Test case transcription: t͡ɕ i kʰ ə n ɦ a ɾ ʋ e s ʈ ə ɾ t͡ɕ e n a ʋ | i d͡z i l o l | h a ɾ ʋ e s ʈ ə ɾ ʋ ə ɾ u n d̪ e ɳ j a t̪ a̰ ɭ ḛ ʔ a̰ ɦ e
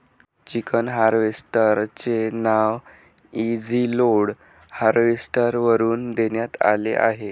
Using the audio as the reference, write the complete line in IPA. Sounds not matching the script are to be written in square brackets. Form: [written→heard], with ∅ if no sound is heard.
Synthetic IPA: t͡ɕ i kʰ ə n ɦ a ɾ ʋ e s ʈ ə ɾ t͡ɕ e n a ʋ | i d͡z i l o [l→ɽ] | h a ɾ ʋ e s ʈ ə ɾ ʋ ə ɾ [u→uː] n d̪ e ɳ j a t̪ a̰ [ɭ→l] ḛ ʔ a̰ ɦ e